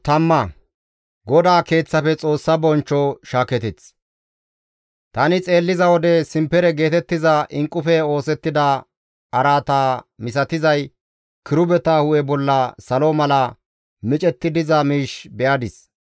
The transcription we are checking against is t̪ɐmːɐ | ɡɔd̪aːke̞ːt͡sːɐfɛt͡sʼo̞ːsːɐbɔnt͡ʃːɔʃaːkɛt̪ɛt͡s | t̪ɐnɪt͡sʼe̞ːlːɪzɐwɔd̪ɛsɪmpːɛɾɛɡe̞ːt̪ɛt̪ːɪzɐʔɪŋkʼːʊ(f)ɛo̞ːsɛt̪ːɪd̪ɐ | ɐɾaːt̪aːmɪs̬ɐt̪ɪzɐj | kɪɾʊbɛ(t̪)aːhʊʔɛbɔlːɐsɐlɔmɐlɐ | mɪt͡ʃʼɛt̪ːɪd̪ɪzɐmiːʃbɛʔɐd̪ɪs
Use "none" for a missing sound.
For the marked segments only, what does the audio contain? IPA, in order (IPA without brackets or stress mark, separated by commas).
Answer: f, t̪